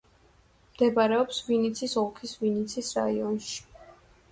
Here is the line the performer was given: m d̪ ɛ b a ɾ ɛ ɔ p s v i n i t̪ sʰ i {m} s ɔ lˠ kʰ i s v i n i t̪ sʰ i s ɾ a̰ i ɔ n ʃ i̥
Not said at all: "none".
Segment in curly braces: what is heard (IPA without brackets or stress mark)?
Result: none